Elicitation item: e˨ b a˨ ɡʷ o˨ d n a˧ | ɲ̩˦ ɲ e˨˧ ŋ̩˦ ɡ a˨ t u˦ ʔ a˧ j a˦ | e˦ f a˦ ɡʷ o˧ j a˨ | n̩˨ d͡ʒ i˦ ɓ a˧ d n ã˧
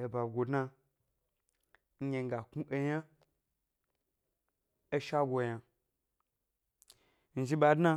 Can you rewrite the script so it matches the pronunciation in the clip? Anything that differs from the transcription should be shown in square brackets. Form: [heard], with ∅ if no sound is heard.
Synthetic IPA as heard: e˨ b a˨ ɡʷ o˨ d n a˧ | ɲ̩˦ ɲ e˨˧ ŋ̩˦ ɡ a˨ [k] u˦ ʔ [e˧] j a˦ | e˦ [ʃ] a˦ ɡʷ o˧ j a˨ | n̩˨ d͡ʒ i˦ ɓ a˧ d n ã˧